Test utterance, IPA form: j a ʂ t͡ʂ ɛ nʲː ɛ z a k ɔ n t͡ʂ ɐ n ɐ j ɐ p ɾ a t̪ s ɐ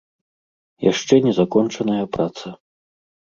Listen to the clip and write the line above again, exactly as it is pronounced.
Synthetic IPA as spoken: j a ʂ t͡ʂ ɛ nʲ ɛ z a k ɔ n t͡ʂ ɐ n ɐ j ɐ p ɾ a t̪ s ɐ

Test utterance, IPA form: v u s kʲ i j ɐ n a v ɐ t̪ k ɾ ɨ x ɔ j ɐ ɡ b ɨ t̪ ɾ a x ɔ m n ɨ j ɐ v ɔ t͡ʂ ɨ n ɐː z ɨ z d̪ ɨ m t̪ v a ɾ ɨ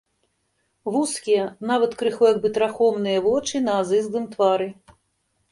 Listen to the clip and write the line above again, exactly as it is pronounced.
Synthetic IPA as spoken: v u s kʲ i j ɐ n a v ɐ t̪ k ɾ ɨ x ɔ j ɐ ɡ b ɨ t̪ ɾ a x ɔ m n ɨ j ɐ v ɔ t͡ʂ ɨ n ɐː z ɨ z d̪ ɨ m t̪ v a ɾ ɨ

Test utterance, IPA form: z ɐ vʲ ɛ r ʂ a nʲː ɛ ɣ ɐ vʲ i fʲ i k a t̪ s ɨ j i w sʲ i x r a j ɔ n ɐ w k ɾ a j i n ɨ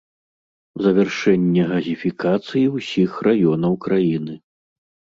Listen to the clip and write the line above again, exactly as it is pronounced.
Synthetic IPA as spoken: z ɐ vʲ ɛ r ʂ ɛ nʲː ɛ ɣ ɐ zʲ i fʲ i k a t̪ s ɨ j i w sʲ i x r a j ɔ n ɐ w k ɾ a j i n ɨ

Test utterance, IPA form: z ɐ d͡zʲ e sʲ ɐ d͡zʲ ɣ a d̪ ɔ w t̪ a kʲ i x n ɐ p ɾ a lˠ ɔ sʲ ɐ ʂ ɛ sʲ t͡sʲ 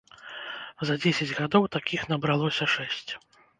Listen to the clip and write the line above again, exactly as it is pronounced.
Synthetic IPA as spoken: z ɐ d͡zʲ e sʲ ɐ d͡zʲ ɣ a d̪ ɔ w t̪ a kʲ i x n ɐ b ɾ a lˠ ɔ sʲ ɐ ʂ ɛ sʲ t͡sʲ

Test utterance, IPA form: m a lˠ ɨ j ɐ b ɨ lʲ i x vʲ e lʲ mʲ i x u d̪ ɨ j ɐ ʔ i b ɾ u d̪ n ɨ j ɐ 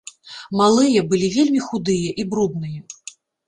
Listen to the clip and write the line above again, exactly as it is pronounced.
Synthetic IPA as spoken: m a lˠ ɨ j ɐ b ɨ lʲ i vʲ e lʲ mʲ i x u d̪ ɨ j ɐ ʔ i b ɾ u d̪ n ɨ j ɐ

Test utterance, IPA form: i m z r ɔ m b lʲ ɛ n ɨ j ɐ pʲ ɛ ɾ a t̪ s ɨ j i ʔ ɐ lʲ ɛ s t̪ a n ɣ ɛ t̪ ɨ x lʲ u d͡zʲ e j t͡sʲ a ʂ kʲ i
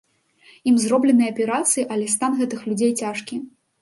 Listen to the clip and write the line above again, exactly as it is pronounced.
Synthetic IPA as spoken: i m z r ɔ b lʲ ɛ n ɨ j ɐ pʲ ɛ ɾ a t̪ s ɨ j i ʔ ɐ lʲ ɛ s t̪ a n ɣ ɛ t̪ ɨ x lʲ u d͡zʲ e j t͡sʲ a ʂ kʲ i

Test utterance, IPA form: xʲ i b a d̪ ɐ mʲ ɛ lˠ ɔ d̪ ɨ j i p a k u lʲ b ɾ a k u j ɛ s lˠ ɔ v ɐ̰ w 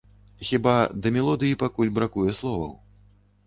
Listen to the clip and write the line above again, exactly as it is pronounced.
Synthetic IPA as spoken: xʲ i b a d̪ ɐ mʲ ɛ lˠ ɔ d̪ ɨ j i p a k u lʲ b ɾ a k u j ɛ s lˠ ɔ v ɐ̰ w

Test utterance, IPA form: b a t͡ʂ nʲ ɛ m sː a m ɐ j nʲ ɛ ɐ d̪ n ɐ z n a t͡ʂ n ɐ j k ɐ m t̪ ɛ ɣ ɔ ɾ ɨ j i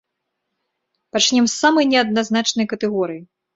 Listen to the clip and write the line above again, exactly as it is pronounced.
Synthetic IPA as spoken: p a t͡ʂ nʲ ɛ m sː a m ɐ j nʲ ɛ ɐ d̪ n a z n a t͡ʂ n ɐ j k ɐ t̪ ɛ ɣ ɔ ɾ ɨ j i

